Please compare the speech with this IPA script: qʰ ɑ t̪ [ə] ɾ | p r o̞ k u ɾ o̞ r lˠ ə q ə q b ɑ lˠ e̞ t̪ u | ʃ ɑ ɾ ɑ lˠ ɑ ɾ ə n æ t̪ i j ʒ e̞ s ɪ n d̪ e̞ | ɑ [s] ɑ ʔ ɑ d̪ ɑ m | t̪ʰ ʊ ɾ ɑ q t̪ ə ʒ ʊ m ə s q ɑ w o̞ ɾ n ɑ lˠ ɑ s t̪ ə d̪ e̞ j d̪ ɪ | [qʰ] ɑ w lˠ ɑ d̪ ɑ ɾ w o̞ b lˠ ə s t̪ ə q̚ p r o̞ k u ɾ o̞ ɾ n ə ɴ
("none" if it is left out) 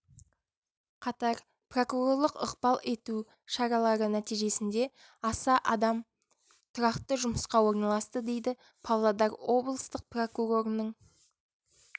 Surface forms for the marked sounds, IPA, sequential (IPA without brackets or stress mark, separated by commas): ɑ, s, pʰ